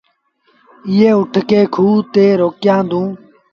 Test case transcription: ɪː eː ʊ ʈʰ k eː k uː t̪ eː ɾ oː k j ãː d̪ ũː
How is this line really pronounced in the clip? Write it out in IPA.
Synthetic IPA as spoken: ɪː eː ʊ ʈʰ k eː kʰ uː t̪ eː ɾ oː k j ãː d̪ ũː

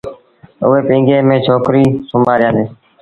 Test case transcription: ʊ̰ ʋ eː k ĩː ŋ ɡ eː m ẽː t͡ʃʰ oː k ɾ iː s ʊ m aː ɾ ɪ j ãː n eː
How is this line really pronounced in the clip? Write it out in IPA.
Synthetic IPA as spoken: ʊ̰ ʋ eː p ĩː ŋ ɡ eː m ẽː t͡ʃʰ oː k ɾ iː s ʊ m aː ɾ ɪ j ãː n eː

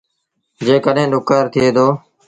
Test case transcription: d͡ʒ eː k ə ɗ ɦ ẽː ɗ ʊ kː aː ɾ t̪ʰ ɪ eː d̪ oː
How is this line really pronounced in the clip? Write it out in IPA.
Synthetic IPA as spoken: d͡ʒ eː k ə ɗ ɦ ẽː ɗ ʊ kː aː ɾ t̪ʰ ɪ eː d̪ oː

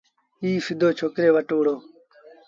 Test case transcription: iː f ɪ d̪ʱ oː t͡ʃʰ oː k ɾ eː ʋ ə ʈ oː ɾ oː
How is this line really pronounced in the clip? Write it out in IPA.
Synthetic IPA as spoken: iː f ɪ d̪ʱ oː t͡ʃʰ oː k ɾ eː ʋ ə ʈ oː ɽ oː

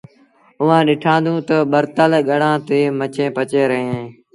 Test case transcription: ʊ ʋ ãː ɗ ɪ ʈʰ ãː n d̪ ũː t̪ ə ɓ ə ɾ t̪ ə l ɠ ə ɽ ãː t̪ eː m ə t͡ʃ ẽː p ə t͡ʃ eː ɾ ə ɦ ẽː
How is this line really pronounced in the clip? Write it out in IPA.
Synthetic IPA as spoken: ʊ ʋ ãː ɗ ɪ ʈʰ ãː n d̪ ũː t̪ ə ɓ ə ɾ t̪ ə l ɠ ə ɽ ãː t̪ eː m ə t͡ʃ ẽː p ə t͡ʃ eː ɾ ə ɦ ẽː

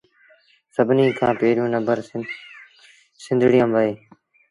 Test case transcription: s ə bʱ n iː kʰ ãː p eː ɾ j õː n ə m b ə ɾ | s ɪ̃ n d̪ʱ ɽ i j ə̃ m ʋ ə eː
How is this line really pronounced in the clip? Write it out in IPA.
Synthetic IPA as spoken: s ə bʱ n iː kʰ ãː p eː ɾ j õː n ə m b ə ɾ | s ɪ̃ n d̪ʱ ɽ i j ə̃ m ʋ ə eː

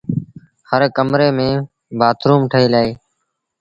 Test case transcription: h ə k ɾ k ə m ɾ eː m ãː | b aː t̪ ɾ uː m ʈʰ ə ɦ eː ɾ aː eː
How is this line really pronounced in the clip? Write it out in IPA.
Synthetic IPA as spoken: h ə ɾ k ə m ɾ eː m ẽː | b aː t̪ ɾ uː m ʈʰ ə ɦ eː l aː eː

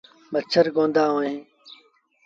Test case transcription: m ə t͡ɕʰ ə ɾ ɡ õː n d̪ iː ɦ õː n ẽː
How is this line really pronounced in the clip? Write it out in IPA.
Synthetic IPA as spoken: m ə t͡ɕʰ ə ɾ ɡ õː n d̪ aː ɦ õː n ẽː

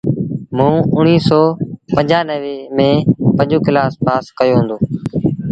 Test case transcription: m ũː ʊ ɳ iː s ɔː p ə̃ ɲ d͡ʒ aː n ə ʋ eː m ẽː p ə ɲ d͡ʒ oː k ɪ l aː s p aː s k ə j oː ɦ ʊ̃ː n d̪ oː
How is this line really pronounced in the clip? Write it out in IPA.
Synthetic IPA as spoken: m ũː ʊ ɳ iː s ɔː p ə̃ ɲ d͡ʒ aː n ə ʋ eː m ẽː p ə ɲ d͡ʒ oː k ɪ l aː s p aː s k ə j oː ɦ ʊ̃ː n d̪ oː

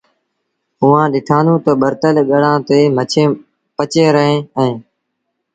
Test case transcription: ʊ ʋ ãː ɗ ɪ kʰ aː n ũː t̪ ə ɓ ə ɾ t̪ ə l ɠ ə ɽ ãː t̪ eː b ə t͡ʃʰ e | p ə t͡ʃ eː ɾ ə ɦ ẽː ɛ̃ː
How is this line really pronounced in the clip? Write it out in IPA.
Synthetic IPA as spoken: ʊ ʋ ãː ɗ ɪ ʈʰ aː n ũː t̪ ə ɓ ə ɾ t̪ ə l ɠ ə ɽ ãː t̪ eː m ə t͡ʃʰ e | p ə t͡ʃ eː ɾ ə ɦ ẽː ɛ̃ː

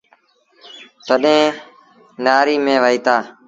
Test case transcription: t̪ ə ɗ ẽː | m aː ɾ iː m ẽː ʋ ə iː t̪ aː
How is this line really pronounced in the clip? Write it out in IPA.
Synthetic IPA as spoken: t̪ ə ɗ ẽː | n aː ɾ iː m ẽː ʋ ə iː t̪ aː

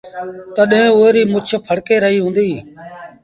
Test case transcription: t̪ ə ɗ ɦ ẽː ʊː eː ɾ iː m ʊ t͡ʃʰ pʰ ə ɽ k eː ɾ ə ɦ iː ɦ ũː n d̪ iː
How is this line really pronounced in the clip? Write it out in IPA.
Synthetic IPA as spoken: t̪ ə ɗ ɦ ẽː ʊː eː ɾ iː m ʊ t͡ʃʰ pʰ ə ɽ k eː ɾ ə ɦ iː ɦ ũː n d̪ iː

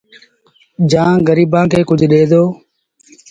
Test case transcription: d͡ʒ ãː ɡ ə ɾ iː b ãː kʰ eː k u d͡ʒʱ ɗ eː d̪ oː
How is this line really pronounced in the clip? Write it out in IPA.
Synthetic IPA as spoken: d͡ʒ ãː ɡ ə ɾ iː b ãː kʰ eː k ʊ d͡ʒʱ ɗ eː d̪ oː

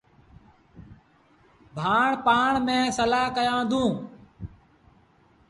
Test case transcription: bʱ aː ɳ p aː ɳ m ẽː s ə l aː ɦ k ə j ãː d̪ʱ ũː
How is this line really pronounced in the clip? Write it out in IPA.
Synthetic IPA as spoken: bʱ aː ɳ p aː ɳ m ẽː s ə l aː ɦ k ə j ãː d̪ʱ ũː

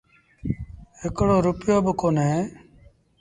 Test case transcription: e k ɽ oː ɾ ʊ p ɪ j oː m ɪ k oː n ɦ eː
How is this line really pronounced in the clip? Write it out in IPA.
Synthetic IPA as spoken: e k ɽ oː ɾ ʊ p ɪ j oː b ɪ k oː n ɦ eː

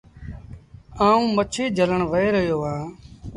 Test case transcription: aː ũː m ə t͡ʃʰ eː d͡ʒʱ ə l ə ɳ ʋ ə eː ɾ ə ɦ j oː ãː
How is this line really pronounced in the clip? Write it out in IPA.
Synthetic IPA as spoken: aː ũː m ə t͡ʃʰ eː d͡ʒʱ ə l ə ɳ ʋ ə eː ɾ ə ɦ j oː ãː

